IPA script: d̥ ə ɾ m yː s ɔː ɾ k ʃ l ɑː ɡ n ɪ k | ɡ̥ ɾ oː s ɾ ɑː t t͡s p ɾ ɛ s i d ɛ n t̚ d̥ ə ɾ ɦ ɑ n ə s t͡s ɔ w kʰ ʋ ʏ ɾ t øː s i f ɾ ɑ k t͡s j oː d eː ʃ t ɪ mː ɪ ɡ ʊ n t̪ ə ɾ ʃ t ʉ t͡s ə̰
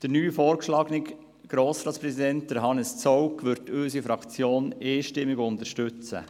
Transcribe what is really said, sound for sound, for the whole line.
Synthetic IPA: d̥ ə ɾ n yː f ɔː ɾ k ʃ l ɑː ɡ n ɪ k | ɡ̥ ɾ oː s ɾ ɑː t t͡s p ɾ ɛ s i d ɛ n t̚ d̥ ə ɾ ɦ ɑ n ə s t͡s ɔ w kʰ ʋ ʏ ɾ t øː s i f ɾ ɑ k t͡s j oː n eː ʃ t ɪ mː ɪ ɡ ʊ n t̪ ə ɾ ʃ t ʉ t͡s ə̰

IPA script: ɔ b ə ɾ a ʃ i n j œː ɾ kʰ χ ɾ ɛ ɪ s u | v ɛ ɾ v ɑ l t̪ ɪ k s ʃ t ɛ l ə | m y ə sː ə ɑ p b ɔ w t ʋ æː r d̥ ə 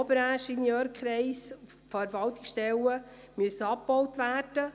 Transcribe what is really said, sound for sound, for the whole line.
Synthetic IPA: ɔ b ə ɾ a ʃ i n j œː ɾ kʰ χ ɾ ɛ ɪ s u | f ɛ ɾ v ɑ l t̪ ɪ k s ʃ t ɛ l ə | m y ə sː ə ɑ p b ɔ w t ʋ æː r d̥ ə

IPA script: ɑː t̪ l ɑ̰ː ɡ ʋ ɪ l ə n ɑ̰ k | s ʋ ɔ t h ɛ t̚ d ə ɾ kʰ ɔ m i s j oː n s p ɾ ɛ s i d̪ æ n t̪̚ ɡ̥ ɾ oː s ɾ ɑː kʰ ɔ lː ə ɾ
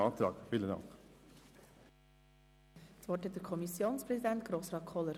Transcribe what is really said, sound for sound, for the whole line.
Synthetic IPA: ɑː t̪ ɾ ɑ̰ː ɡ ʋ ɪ l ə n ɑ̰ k | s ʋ ɔ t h ɛ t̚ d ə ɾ kʰ ɔ m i s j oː n s p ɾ ɛ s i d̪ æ n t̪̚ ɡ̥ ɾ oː s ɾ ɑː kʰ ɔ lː ə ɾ

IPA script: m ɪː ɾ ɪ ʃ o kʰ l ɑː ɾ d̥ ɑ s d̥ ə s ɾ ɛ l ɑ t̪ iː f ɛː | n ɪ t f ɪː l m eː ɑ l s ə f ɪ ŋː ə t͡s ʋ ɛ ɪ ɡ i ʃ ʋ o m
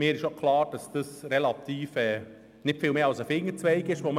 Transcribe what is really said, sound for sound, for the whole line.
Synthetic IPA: m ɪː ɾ ɪ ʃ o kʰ l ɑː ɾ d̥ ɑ s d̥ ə s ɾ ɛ l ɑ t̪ iː f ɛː | n ɪ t f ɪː l m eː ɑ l s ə f ɪ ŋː ə t͡s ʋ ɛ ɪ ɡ ɪ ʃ ʋ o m

